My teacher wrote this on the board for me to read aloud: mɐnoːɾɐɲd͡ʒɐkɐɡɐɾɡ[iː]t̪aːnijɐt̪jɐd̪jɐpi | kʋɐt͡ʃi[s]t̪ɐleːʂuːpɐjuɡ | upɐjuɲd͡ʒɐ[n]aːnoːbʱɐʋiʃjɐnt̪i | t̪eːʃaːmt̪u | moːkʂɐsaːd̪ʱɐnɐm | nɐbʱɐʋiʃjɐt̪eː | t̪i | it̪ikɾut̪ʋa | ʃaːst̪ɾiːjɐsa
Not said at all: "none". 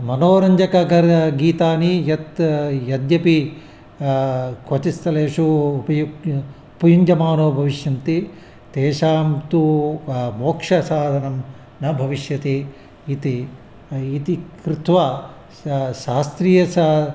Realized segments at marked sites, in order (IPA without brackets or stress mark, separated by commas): iː, s, m